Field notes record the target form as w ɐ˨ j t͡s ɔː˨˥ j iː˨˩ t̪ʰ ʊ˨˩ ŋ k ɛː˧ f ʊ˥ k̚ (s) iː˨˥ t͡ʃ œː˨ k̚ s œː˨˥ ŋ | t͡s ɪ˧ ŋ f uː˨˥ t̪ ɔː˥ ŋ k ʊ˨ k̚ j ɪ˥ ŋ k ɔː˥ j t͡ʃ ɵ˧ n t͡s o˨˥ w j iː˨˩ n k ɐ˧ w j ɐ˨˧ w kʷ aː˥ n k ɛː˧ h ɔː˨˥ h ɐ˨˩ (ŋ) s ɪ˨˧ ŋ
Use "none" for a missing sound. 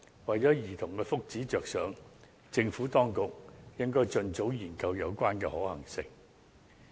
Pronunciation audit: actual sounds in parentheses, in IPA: t͡s, ŋ

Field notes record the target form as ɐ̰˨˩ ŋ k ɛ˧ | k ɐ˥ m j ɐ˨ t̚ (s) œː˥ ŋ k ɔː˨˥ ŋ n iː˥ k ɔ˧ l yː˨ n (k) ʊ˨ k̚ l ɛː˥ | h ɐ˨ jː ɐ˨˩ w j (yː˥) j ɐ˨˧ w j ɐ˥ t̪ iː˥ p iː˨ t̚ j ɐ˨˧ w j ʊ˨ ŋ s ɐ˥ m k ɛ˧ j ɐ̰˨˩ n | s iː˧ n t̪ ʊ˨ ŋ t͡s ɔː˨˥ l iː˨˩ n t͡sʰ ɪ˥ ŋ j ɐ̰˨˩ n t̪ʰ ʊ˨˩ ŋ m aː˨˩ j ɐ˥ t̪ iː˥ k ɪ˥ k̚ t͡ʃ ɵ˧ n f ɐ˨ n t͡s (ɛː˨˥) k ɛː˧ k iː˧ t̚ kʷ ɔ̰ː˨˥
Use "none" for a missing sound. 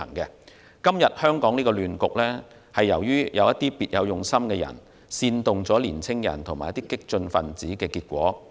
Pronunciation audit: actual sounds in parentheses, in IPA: h, k, yː˥, iː˨˥

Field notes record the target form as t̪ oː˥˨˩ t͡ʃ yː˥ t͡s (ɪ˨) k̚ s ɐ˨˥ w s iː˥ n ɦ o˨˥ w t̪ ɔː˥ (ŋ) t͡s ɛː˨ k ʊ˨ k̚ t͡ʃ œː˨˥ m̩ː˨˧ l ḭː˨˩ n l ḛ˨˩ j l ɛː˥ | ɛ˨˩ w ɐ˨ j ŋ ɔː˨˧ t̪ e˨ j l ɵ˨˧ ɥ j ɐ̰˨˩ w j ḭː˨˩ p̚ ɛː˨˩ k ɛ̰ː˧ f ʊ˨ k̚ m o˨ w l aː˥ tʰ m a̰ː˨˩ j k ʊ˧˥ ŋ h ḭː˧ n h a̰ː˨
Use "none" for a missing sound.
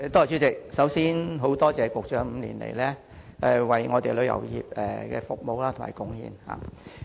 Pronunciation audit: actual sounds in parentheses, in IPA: ɪ˨, none

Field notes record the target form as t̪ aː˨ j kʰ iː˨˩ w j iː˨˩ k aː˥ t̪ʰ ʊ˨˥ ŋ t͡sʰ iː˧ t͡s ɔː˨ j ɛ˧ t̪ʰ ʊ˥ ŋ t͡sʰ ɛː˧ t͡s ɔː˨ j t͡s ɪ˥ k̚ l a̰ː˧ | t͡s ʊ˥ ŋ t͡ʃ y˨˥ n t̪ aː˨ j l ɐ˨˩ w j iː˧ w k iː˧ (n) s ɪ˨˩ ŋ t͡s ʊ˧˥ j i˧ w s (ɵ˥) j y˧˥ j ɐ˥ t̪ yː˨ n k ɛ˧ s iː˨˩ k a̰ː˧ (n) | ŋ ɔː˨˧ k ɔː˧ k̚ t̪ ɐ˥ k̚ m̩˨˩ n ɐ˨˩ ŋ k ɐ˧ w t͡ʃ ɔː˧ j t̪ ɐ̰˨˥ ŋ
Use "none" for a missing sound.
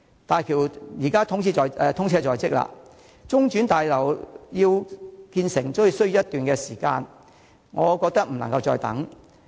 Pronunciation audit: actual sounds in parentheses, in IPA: n, ɵ˥, n

